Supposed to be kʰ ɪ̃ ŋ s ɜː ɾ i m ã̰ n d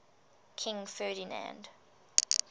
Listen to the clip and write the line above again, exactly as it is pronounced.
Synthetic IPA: kʰ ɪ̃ ŋ f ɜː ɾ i n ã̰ n d